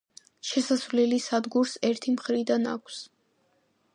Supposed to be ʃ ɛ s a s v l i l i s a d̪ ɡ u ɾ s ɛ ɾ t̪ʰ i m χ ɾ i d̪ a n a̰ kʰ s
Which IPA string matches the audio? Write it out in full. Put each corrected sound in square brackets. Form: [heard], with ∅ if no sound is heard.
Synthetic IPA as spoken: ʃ ɛ s a s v l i l i s a d̪ ɡ u ɾ s ɛ ɾ t̪ʰ i m χ ɾ i d̪ a n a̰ kʰ s